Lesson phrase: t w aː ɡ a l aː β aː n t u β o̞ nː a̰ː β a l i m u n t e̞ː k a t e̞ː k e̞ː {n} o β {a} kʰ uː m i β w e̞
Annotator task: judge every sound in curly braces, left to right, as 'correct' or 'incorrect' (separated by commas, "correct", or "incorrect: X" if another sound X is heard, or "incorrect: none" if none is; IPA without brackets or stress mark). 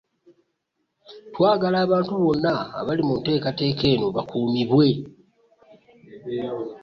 correct, correct